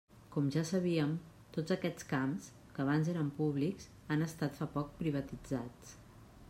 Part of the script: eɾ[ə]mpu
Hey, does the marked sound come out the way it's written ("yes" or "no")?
yes